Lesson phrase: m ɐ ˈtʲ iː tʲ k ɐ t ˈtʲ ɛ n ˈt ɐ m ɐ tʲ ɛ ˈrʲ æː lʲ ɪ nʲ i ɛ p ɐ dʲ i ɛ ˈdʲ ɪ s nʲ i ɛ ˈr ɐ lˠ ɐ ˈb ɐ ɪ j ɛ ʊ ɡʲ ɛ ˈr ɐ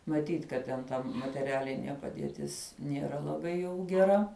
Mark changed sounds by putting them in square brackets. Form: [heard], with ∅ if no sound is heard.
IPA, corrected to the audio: m ɐ ˈtʲ iː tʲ k ɐ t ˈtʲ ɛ n ˈt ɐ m ɐ tʲ ɛ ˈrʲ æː lʲ ɪ nʲ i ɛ p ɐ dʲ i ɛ [ˈtʲ] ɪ s nʲ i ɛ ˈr ɐ lˠ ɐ ˈb ɐ ɪ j ɛ ʊ ɡʲ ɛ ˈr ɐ